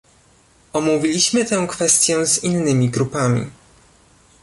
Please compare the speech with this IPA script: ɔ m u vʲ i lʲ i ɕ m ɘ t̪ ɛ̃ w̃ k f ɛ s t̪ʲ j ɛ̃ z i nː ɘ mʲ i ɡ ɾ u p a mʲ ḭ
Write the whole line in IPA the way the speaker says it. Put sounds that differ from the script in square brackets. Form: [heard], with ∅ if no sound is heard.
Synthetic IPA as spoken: ɔ m u vʲ i lʲ i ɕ m ɘ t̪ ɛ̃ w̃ k f ɛ s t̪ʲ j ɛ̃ z i nː ɘ mʲ i ɡ ɾ u p a mʲ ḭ